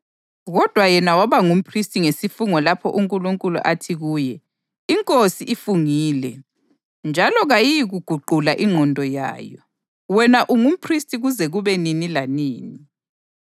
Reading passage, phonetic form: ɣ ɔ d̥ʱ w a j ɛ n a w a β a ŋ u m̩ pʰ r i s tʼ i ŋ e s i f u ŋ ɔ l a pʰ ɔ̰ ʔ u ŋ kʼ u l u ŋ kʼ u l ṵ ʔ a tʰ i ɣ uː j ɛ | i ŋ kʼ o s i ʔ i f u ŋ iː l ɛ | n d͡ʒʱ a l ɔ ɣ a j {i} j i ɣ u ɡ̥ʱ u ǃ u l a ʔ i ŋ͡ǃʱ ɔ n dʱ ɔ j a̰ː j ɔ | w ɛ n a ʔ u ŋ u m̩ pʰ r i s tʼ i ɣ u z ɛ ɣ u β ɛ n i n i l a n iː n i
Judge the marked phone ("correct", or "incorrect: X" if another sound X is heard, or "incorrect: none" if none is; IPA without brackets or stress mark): correct